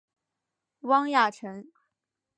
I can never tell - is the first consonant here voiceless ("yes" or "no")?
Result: no